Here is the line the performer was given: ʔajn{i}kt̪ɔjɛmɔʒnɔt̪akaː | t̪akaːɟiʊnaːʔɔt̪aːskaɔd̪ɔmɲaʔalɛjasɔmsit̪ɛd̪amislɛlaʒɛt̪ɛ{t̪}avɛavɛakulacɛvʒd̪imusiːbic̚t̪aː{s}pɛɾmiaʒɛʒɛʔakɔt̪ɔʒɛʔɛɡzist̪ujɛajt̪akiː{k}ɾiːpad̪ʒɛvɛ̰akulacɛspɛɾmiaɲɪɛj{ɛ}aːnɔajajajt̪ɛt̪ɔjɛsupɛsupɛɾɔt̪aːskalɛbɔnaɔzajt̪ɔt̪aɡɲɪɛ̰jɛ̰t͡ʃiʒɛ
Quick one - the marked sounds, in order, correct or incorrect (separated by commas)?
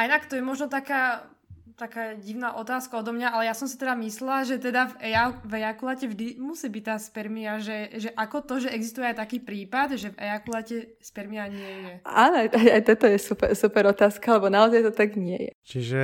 incorrect, incorrect, correct, incorrect, correct